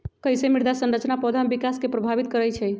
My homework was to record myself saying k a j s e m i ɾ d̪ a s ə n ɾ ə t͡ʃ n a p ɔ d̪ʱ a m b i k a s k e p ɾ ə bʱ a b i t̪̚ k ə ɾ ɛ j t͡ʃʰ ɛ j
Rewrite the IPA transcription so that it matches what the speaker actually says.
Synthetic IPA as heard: k ə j s e m i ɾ d̪ a s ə n ɾ ə t͡ʃ n a p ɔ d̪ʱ a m b i k a s k e p ɾ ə bʱ a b i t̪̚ k ə ɾ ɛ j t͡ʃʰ ɛ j